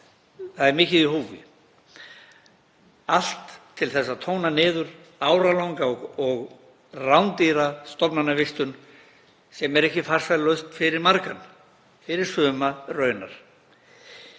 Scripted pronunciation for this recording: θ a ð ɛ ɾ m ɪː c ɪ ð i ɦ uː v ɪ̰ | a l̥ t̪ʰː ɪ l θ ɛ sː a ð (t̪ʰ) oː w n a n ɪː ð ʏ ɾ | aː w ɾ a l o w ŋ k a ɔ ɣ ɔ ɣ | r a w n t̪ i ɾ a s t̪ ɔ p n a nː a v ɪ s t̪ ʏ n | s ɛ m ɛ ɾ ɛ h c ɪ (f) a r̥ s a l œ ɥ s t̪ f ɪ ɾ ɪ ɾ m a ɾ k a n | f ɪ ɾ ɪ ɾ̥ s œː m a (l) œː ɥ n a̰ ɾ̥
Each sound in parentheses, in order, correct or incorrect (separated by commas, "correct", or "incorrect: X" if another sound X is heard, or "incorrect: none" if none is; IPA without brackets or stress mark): correct, correct, incorrect: r